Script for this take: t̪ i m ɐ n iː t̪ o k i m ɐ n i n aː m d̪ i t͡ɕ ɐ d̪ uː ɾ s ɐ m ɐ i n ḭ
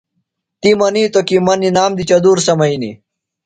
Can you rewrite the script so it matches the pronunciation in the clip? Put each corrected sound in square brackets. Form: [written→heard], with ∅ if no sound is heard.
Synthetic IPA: t̪ i m ɐ n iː t̪ o k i m ɐ n i n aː m d̪ i t͡ɕ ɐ d̪ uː ɾ s ɐ m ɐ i n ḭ